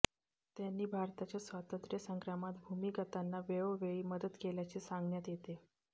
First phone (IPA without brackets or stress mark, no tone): t̪